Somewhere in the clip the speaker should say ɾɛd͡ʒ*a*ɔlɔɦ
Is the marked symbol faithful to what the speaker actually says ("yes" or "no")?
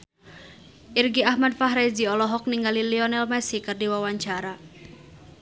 no